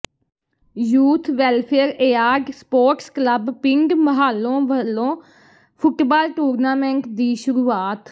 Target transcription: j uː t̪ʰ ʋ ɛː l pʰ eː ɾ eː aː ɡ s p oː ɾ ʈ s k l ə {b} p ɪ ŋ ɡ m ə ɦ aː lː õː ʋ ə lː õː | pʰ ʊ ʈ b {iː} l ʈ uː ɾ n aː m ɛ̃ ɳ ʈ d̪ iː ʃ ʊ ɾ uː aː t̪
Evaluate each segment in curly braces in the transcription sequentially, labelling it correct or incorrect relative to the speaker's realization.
correct, incorrect: aː

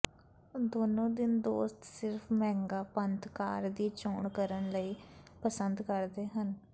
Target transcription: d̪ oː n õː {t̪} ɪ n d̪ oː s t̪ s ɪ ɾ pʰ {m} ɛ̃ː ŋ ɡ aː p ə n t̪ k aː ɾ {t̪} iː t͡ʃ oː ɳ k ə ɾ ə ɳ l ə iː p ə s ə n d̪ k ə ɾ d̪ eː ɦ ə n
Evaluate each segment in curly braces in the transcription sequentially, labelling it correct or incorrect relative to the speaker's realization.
incorrect: d̪, correct, incorrect: d̪

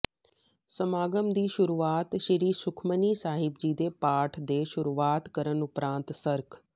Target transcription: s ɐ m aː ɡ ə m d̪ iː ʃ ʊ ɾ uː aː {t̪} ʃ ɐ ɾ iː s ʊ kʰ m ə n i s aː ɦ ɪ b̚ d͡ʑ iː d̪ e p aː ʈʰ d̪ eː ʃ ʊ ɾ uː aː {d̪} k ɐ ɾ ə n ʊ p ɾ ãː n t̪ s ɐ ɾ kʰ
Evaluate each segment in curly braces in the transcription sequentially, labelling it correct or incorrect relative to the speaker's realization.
correct, incorrect: t̪

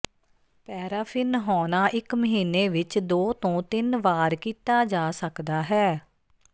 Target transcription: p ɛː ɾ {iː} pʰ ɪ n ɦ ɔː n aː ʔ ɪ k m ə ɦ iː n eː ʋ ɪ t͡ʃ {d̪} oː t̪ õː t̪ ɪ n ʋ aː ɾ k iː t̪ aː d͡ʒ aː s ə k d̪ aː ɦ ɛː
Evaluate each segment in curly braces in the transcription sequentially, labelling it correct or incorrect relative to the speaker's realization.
incorrect: aː, correct

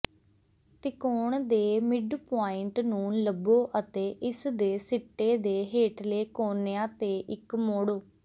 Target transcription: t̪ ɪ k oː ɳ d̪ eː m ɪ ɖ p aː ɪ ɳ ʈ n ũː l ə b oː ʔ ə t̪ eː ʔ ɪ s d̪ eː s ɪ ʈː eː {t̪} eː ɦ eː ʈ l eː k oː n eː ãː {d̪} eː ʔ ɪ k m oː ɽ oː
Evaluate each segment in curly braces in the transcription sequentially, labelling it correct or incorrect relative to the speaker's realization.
incorrect: d̪, incorrect: t̪

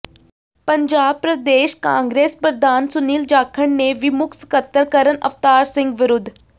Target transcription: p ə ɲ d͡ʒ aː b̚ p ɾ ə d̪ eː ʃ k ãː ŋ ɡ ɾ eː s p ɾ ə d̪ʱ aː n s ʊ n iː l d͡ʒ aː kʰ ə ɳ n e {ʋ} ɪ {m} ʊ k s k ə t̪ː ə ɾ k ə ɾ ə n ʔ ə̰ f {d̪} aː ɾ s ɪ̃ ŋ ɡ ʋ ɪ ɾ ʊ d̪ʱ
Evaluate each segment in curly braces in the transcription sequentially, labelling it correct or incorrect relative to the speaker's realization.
correct, correct, incorrect: t̪

